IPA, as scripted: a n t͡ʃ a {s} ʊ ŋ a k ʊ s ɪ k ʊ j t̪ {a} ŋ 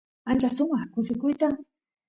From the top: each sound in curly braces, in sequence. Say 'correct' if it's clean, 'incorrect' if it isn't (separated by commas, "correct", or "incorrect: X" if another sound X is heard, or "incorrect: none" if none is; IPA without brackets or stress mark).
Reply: correct, correct